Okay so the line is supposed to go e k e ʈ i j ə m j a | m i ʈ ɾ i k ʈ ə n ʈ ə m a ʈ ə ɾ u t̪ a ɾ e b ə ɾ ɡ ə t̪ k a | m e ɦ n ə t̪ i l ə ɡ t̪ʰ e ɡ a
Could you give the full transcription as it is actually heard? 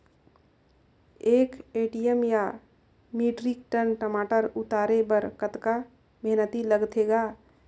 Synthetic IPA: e k e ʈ i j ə m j a | m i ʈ ɾ i k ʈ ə n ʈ ə m a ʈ ə ɾ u t̪ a ɾ e b ə ɾ k ə t̪ k a | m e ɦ n ə t̪ i l ə ɡ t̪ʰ e ɡ a